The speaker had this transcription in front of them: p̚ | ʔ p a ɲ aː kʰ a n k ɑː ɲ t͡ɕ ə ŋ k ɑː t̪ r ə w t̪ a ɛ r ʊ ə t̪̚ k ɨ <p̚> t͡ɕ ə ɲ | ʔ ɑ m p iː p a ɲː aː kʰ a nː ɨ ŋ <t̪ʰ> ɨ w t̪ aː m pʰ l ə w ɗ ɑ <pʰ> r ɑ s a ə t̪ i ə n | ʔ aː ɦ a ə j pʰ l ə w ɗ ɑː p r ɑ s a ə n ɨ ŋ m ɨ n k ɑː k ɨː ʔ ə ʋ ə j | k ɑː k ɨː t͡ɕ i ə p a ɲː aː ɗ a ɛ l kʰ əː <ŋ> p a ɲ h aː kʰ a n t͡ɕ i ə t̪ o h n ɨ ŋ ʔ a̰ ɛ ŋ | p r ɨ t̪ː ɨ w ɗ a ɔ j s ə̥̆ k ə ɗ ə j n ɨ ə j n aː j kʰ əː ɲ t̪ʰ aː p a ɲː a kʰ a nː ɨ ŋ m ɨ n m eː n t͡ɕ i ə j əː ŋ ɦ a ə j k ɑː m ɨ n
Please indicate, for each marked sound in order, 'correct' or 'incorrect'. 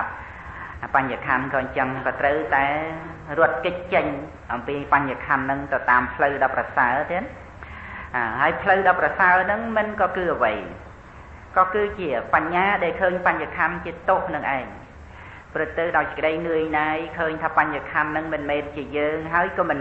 incorrect, incorrect, incorrect, incorrect

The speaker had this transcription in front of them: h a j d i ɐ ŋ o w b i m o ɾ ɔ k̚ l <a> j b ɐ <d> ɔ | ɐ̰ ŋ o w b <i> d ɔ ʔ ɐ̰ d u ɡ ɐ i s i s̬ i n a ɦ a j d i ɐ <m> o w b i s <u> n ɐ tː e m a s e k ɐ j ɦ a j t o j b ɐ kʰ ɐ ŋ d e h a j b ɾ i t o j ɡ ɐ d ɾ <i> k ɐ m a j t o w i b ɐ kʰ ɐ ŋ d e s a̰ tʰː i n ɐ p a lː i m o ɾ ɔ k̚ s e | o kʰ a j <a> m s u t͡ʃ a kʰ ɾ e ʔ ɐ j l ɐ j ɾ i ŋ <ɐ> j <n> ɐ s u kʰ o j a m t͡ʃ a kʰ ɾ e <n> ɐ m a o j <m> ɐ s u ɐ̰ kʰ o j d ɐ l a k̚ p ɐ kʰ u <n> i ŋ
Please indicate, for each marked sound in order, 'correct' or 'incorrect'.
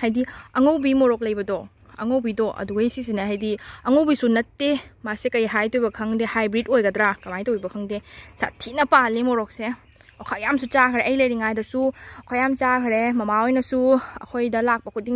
incorrect, correct, correct, incorrect, correct, incorrect, correct, incorrect, incorrect, incorrect, incorrect, incorrect

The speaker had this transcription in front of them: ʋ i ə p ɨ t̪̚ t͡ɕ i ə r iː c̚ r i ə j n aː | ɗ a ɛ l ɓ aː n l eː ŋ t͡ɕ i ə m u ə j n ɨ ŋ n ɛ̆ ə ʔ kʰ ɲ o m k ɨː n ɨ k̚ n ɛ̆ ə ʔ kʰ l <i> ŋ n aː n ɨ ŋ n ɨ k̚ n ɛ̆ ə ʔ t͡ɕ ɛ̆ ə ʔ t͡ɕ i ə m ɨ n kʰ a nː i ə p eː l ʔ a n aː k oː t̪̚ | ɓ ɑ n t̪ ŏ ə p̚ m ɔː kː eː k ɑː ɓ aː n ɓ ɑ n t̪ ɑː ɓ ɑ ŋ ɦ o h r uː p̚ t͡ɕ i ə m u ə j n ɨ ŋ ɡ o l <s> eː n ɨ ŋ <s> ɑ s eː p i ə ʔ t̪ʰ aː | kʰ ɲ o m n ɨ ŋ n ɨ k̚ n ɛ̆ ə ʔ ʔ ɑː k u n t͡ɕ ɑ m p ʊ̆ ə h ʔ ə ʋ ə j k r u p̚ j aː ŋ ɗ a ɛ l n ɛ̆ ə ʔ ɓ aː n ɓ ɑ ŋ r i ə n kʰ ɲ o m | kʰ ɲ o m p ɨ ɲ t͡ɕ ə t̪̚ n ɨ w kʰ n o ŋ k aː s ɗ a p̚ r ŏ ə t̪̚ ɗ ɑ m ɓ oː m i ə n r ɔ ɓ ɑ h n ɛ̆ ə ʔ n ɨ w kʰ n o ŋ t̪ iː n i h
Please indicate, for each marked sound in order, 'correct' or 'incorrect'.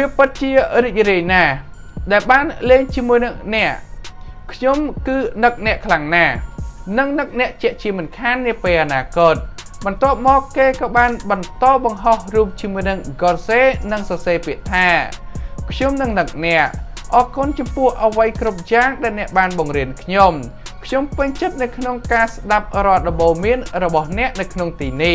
incorrect, correct, correct

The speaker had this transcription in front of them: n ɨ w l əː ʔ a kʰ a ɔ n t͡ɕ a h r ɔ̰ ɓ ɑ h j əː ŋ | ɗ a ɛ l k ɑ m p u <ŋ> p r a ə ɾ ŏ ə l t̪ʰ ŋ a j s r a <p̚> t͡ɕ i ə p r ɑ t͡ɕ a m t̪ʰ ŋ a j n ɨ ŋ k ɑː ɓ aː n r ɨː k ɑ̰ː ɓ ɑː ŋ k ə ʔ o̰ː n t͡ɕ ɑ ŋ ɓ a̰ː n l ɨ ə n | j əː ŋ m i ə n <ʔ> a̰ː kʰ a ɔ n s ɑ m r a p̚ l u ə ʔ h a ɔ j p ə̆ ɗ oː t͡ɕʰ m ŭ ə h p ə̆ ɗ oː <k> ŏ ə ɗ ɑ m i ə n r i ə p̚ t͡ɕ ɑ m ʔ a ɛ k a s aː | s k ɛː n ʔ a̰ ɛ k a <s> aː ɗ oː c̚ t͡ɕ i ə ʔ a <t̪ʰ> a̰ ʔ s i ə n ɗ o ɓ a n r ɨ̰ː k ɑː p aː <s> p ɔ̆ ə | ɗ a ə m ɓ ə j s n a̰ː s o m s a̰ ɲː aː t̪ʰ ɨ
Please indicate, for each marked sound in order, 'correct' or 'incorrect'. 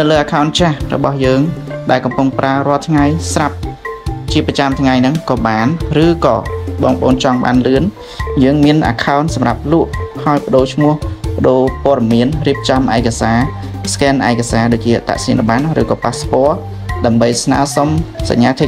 correct, correct, correct, incorrect, correct, incorrect, correct

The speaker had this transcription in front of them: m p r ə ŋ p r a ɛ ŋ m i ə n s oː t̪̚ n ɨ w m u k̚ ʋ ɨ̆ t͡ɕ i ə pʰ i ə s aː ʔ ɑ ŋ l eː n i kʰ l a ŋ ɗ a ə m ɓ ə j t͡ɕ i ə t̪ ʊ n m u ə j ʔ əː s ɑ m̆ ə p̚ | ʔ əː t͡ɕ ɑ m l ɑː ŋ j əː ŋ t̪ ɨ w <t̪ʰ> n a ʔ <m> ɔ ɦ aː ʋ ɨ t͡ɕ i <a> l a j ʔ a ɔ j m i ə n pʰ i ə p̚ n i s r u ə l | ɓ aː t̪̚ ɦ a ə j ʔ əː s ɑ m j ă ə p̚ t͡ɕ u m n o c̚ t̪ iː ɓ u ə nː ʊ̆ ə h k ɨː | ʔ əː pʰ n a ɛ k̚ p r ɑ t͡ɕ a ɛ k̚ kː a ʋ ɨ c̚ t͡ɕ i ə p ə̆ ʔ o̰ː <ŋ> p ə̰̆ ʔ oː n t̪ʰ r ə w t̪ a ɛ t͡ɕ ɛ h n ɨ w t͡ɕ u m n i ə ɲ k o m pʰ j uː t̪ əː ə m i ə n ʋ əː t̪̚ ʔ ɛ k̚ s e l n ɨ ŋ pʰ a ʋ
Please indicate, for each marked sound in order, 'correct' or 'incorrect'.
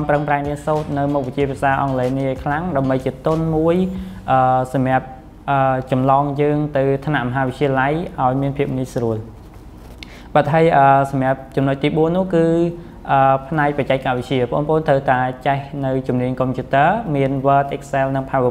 correct, correct, incorrect, incorrect

